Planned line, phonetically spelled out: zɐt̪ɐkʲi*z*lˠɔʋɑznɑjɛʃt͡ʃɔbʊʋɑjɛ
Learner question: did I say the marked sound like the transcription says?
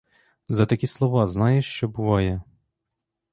no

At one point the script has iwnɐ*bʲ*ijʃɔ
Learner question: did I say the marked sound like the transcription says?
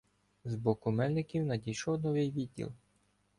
no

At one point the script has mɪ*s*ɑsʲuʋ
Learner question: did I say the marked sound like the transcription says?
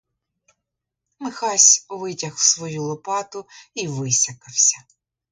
no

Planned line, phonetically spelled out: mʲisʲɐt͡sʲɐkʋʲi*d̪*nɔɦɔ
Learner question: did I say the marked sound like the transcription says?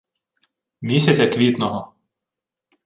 no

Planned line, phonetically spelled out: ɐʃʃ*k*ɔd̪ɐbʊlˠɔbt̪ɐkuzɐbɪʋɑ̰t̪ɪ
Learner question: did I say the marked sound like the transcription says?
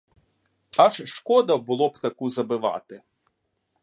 yes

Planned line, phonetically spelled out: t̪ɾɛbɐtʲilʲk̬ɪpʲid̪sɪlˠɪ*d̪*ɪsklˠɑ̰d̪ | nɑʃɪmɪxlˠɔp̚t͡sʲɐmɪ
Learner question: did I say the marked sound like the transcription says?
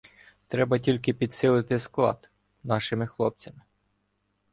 no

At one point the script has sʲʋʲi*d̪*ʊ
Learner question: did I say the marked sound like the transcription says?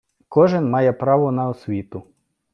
no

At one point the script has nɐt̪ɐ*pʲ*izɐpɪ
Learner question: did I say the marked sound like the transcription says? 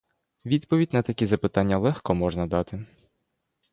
no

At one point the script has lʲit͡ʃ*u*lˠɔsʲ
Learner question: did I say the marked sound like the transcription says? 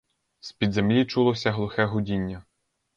yes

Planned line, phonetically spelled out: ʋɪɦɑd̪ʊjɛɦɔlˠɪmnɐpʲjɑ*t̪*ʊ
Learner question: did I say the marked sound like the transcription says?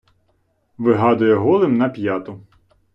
yes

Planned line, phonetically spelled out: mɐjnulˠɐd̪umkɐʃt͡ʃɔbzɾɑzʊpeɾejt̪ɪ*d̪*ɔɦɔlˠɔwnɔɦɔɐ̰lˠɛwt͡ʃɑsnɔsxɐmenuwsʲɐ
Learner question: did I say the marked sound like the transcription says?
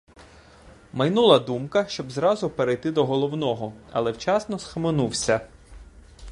yes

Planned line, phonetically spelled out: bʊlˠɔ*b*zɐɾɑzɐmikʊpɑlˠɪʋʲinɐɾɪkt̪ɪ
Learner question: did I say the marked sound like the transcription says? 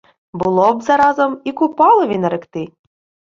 yes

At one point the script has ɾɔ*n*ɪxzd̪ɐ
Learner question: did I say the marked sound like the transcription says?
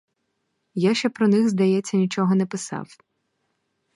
yes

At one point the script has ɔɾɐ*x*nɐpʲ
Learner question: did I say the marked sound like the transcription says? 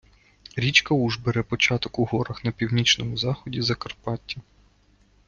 yes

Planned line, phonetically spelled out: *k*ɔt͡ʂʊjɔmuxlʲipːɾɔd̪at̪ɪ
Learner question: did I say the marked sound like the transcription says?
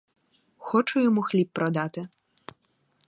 no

